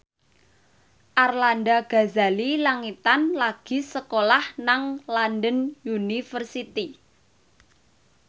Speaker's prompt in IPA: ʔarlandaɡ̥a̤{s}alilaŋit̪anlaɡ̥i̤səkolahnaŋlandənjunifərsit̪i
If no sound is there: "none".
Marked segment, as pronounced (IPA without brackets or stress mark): z